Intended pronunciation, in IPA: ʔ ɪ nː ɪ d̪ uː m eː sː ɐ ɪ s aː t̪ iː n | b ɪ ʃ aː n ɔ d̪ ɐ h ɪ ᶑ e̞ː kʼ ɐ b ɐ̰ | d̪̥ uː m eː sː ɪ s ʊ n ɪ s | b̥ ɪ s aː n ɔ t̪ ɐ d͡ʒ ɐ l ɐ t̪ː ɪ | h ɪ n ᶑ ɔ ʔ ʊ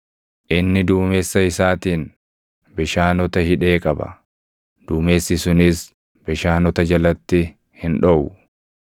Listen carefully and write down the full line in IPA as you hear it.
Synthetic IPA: ʔ ɪ nː ɪ d̪ uː m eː sː ɐ ɪ s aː t̪ iː n | b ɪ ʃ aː n ɔ t̪ ɐ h ɪ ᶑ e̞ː kʼ ɐ b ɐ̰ | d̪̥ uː m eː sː ɪ s ʊ n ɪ s | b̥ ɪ ʃ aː n ɔ t̪ ɐ d͡ʒ ɐ l ɐ t̪ː ɪ | h ɪ n ᶑ ɔ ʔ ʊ